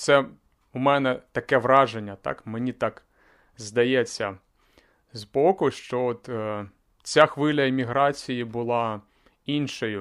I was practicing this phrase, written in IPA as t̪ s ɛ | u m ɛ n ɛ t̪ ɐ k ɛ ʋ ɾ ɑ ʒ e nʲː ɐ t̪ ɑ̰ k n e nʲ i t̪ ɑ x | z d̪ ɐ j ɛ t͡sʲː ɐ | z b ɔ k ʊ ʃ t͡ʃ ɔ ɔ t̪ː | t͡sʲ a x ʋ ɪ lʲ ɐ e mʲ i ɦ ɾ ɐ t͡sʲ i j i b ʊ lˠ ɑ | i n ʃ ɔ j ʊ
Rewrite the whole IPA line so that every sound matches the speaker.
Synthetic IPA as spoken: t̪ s ɛ | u m ɛ n ɛ t̪ ɐ k ɛ ʋ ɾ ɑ ʒ e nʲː ɐ t̪ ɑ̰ k m e nʲ i t̪ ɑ k | z d̪ ɐ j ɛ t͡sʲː ɐ | z b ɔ k ʊ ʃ t͡ʃ ɔ ɔ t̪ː | t͡sʲ a x ʋ ɪ lʲ ɐ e mʲ i ɦ ɾ ɑ t͡sʲ i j i b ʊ lˠ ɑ | i n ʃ ɔ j ʊ